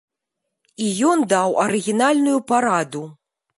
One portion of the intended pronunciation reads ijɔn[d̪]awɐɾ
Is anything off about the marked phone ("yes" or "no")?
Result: no